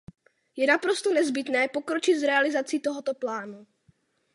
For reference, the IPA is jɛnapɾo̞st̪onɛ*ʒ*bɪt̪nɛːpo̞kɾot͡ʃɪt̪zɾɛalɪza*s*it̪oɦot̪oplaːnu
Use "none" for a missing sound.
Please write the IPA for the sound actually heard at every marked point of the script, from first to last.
z, t͡s

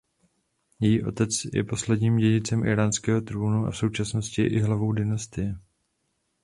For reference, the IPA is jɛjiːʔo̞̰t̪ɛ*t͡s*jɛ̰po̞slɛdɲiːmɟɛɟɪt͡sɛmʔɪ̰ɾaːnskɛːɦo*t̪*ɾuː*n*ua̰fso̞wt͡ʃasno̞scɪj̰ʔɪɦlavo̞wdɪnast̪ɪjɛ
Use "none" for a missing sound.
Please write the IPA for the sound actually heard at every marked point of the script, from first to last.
t͡s, t̪, n

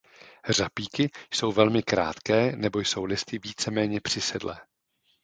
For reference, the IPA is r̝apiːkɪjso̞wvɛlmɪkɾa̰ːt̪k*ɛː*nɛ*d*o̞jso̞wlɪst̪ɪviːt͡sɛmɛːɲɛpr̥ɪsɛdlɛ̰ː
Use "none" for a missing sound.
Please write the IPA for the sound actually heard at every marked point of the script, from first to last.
ɛː, b

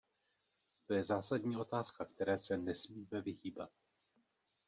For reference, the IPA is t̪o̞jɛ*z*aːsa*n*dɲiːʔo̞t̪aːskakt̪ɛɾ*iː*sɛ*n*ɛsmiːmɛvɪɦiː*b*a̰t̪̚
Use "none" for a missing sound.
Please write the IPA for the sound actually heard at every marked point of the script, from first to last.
z, none, ɛː, n, b

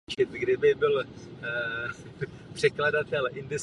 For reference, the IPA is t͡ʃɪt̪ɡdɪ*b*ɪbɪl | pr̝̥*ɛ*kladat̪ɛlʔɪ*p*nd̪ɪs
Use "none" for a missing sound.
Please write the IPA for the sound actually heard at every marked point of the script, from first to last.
b, ɛ, none

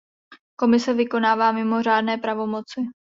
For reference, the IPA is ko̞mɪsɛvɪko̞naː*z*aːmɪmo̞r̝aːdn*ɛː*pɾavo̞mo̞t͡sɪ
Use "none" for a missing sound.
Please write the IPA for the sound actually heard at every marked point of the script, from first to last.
v, ɛː

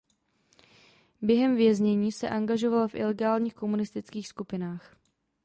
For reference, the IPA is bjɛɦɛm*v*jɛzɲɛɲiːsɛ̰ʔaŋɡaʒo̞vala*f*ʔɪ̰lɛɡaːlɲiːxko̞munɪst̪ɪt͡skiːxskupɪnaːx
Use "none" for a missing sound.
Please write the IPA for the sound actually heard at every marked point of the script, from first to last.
v, f

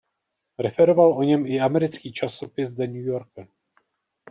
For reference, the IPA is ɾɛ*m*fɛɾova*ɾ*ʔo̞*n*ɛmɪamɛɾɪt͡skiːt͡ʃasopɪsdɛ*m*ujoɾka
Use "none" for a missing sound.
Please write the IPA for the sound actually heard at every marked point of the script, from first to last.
none, l, ɲ, ɲ

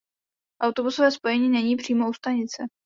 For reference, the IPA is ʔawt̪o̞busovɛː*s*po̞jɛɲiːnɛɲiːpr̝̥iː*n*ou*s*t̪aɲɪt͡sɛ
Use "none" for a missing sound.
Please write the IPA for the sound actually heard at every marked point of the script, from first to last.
s, m, s

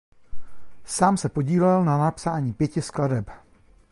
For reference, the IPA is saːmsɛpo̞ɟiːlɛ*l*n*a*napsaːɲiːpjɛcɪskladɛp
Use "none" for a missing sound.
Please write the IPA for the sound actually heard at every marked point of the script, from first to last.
l, a

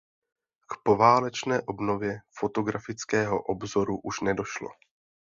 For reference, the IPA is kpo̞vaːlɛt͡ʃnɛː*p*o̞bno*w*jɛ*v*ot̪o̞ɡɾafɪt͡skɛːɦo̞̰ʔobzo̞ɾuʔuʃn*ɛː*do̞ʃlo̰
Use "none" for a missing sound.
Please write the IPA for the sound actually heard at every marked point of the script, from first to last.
ʔ, v, f, ɛ

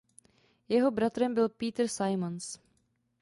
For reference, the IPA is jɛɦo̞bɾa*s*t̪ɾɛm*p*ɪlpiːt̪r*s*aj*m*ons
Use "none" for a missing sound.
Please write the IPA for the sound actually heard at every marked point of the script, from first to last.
none, b, s, m

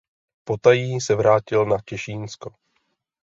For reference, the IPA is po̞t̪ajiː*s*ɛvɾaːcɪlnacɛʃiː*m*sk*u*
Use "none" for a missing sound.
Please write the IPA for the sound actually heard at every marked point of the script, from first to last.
s, n, o

